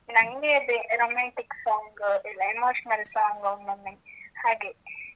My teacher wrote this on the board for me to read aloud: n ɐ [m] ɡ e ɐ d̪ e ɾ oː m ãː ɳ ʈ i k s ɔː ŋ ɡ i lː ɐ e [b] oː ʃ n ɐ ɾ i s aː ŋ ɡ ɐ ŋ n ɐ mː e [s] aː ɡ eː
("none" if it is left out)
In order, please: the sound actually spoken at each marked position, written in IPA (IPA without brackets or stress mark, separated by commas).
ŋ, m, h